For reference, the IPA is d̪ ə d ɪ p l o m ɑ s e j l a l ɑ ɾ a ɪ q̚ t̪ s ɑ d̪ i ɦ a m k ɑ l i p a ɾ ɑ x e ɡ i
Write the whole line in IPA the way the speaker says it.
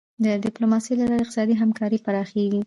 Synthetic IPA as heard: d̪ ə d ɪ p l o m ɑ s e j l a l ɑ ɾ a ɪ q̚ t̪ s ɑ d̪ i ɦ a m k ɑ ɾ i p a ɾ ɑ x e ɡ i

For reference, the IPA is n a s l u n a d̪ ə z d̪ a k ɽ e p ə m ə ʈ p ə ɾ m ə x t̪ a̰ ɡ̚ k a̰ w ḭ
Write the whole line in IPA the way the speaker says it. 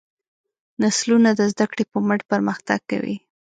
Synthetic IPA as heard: n a s l u n a d̪ ə z d̪ a k ɽ e p ə m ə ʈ p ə ɾ m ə x t̪ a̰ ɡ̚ k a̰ w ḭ

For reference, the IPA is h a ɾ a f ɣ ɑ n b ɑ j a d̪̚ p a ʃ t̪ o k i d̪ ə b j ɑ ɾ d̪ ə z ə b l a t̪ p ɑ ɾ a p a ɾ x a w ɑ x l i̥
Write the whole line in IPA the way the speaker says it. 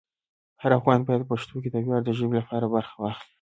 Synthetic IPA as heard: h a ɾ a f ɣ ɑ n b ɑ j a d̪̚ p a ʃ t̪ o k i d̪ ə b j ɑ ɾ d̪ ə ʒ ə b l a p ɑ ɾ a b a ɾ x a w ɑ x l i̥

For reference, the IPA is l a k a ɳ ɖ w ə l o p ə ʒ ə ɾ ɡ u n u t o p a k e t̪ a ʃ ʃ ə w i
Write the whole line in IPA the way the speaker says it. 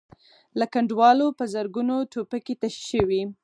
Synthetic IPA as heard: l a k a ɳ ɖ w ɑ l o p ə z ə ɾ ɡ u n o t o p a k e t̪ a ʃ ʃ ə w i

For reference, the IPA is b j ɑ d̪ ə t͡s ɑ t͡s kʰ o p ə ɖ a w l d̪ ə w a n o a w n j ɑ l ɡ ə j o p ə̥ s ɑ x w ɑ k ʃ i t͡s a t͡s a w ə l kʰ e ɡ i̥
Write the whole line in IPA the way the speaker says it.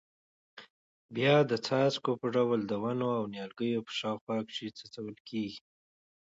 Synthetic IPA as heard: b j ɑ d̪ ə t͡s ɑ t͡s k o p ə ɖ a w l d̪ ə w a n o a w n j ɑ l ɡ ə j o p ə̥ ʃ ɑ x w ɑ k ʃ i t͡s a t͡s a w ə l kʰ e ɡ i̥

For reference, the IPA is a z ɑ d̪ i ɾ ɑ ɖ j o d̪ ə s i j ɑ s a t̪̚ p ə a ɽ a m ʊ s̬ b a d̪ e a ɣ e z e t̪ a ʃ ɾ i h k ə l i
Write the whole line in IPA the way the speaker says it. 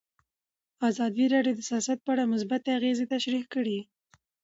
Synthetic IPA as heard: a z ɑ d̪ i ɾ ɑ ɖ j o d̪ ə s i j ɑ s a t̪̚ p ə a ɽ a m ʊ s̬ b a t̪ e a ɣ e z e t̪ a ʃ ɾ i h k ə ɽ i

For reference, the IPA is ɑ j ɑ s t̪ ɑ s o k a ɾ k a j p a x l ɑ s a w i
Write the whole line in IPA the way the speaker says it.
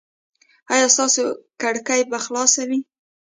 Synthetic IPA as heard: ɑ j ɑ s t̪ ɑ s o k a ɽ k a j b a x l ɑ s a w i

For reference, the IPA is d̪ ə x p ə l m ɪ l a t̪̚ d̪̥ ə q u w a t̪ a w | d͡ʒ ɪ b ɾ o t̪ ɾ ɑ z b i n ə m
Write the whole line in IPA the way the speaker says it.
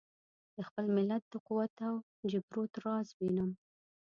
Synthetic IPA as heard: d̪ ə x p ə l m ɪ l a t̪̚ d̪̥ ə q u w a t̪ a w | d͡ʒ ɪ b ɾ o t̪ ɾ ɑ z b i n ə m

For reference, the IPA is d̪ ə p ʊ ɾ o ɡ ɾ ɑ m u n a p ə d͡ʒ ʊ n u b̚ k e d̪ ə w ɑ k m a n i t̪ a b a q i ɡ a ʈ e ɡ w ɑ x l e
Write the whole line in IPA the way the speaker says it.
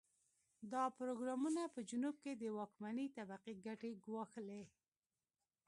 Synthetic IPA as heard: d̪ ɑ p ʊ ɾ o ɡ ɾ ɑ m u n a p ə d͡ʒ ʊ n u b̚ k e d̪ ə w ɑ k m a n i t̪ a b a q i ɡ a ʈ e ɡ w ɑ x l e

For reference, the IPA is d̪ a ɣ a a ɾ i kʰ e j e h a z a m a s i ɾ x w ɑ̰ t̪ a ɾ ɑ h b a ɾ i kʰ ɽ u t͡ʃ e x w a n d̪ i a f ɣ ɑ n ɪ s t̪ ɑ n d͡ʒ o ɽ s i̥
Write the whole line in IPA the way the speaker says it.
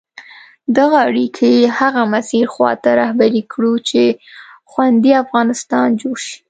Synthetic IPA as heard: d̪ a ɣ a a ɽ i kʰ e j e h a ɣ a m a s i ɾ x w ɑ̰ t̪ a ɾ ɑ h b a ɾ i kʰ ɽ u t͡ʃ e x w a n d̪ i a f ɣ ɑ n ɪ s t̪ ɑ n d͡ʒ o ɽ ʃ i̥

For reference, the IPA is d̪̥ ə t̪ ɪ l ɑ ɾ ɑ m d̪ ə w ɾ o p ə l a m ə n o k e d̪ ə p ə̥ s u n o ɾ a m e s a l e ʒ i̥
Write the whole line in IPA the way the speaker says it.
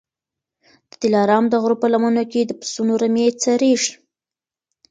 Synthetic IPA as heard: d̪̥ ə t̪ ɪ l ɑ ɾ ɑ m d̪ ə ɣ ɾ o p ə l a m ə n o k e d̪ ə p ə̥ s u n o ɾ a m e t͡s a ɾ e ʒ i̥

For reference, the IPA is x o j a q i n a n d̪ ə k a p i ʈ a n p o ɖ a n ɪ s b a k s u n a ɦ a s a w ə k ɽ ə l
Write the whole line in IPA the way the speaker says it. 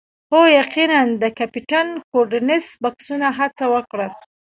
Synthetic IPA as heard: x o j a q i n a n d̪ ə k a p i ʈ a n k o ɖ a n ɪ s b a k s u n a ɦ a t͡s a w ə k ɽ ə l

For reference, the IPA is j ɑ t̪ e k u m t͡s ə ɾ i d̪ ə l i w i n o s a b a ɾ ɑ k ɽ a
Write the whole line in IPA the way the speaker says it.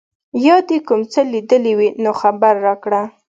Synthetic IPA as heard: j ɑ d̪ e k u m t͡s ə l i d̪ ə l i w i n o x a b a ɾː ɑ k ɽ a

